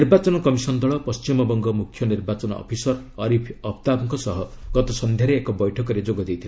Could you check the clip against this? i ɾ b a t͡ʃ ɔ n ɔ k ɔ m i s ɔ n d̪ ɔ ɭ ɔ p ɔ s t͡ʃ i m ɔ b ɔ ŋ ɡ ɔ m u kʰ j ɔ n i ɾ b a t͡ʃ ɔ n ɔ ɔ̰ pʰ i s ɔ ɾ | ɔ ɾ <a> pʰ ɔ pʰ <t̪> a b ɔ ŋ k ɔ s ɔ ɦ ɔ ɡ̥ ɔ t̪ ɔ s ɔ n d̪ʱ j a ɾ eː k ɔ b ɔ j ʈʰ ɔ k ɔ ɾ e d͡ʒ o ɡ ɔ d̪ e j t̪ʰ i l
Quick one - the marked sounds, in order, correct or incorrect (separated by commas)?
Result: incorrect, correct